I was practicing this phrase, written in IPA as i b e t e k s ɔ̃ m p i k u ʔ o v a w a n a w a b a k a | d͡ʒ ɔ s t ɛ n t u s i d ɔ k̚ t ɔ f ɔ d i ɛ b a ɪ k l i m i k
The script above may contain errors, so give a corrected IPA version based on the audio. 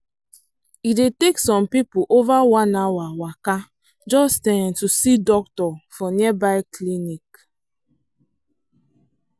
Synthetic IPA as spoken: i d e t e k s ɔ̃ m p i p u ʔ o v a w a n a w a w a k a | d͡ʒ ɔ s t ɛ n t u s i d ɔ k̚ t ɔ f ɔ n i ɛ b a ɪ k l i n i k

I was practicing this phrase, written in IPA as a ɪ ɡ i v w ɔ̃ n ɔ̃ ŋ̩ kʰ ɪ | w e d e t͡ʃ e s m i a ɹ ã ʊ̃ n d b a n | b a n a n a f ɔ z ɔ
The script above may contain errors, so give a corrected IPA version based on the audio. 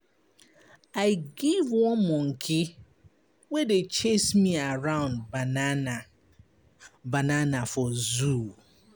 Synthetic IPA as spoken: a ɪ ɡ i v w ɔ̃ m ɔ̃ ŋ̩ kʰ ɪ | w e d e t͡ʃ e s m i a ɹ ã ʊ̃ n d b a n | b a n a n a f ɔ z u

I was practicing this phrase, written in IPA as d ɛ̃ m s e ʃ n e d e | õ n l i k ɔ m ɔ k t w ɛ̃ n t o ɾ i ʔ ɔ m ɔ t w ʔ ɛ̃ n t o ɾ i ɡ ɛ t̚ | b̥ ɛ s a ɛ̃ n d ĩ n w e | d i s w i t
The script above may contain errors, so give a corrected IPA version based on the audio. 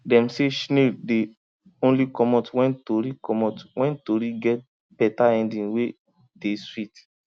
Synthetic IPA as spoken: d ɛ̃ m s e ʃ n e d e | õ n l i k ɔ m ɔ t w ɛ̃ n t o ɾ i k ɔ m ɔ t w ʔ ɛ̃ n t o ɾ i ɡ ɛ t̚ | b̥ ɛ t a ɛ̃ n d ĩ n w e | d e s w i t

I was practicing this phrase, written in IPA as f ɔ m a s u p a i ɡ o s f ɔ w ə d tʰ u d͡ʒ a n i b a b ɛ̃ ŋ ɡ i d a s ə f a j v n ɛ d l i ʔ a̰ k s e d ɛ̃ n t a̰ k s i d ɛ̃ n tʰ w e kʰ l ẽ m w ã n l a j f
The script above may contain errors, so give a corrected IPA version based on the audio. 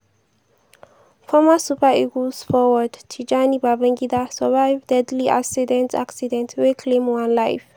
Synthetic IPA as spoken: f ɔ m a s u p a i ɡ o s f ɔ w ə d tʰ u d͡ʒ a n i b a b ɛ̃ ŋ ɡ i d a s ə v a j v d ɛ d l i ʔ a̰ k s i d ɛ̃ n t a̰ k s i d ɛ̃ n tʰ w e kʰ l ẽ m w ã n l a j f

